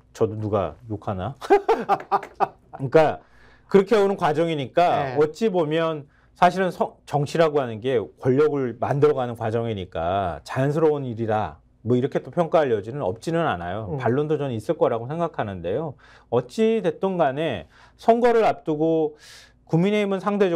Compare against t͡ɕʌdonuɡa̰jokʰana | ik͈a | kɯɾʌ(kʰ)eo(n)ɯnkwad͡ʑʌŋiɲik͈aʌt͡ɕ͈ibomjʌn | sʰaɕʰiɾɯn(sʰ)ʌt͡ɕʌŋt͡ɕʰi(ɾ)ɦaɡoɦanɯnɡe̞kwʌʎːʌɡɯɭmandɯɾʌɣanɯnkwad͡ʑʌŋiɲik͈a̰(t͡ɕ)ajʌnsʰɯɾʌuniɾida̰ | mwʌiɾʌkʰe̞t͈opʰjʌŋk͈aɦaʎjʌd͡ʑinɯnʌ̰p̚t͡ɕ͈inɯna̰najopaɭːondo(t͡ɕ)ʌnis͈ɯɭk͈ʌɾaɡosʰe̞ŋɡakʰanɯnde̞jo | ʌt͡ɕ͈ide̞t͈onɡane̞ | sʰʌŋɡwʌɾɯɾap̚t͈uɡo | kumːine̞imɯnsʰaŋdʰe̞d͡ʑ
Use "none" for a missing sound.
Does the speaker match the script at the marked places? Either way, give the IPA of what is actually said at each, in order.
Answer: kʰ, n, sʰ, ɾ, t͡ɕ, t͡ɕ

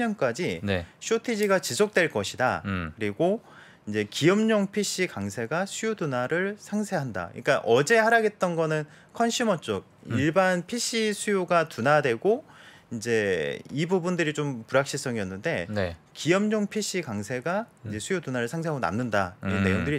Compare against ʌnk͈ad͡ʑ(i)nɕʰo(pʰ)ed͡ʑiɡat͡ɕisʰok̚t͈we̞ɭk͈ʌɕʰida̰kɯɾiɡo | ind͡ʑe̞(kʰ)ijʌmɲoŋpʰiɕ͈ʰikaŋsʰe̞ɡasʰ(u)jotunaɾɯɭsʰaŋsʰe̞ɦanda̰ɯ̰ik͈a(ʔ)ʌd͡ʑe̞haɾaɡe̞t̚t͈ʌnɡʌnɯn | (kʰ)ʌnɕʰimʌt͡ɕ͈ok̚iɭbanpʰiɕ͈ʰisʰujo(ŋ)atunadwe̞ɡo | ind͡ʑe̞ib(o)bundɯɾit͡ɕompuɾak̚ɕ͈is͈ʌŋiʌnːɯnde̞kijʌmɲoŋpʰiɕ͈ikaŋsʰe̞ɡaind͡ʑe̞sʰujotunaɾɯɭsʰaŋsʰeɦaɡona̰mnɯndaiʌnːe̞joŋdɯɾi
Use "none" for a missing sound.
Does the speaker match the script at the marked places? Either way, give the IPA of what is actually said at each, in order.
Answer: i, tʰ, k, u, ʔ, kʰ, ɡ, u

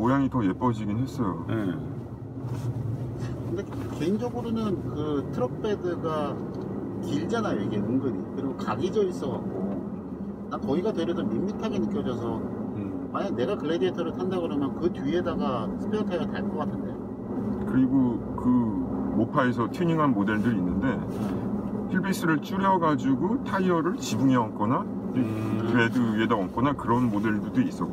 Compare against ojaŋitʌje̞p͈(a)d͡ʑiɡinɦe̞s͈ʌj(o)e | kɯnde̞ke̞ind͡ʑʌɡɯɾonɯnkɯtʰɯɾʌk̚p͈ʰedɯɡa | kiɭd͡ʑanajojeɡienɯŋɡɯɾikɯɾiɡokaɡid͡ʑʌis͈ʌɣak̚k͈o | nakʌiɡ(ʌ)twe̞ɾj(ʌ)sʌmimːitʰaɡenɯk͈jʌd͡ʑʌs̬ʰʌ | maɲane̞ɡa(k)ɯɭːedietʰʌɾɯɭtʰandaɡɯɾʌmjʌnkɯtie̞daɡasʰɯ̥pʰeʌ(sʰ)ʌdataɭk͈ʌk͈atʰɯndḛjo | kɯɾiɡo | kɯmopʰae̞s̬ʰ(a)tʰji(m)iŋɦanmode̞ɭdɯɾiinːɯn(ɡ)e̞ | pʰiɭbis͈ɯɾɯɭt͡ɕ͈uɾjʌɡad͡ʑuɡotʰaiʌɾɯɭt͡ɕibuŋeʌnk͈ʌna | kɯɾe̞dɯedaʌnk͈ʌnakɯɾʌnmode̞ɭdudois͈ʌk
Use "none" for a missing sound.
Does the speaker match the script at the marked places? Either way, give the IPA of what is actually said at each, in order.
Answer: ʌ, o, a, ʌ, k, tʰ, ʌ, ɲ, d

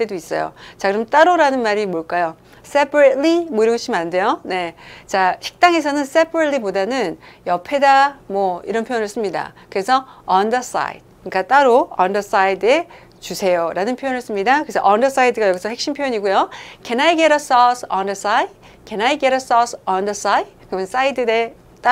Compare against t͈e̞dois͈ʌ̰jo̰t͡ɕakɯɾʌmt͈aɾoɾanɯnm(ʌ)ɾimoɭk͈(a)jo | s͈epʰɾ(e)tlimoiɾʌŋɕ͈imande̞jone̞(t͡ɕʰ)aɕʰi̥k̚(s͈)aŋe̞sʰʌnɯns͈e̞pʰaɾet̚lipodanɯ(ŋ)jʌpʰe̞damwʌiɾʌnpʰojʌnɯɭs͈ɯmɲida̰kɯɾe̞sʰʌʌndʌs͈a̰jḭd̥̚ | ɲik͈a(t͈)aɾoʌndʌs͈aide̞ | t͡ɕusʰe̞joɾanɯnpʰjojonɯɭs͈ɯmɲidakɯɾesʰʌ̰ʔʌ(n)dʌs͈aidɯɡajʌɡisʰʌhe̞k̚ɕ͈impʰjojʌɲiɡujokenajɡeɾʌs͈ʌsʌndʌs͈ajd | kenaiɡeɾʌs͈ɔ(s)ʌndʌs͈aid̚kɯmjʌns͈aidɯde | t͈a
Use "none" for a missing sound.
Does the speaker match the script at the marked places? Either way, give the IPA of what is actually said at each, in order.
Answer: a, a, e, t͡ɕ, t͈, n, t͈, n, s

